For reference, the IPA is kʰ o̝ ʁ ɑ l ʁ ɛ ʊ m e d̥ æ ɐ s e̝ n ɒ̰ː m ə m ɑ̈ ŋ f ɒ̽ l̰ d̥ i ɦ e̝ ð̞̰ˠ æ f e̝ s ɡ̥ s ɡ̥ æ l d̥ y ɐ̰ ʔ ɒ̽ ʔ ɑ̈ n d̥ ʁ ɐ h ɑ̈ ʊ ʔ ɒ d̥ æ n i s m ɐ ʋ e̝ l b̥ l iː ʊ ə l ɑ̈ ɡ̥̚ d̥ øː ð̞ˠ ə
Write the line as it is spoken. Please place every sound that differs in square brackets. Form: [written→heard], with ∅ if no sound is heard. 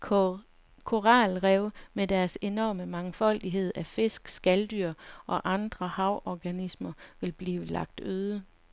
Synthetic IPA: kʰ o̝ ʁ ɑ l ʁ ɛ ʊ m e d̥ æ ɐ s e̝ n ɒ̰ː m ə m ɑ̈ ŋ f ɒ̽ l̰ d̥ i ɦ e̝ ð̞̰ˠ æ f e̝ s ɡ̥ s ɡ̥ æ l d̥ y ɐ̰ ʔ ɒ̽ ʔ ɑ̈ n d̥ ʁ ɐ h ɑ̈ ʊ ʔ ɒ [d̥→ɡ̥] æ n i s m ɐ ʋ e̝ l b̥ l iː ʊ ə l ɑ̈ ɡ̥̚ d̥ øː ð̞ˠ ə